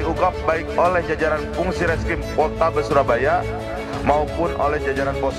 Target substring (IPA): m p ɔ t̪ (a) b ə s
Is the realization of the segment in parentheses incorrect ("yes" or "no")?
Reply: no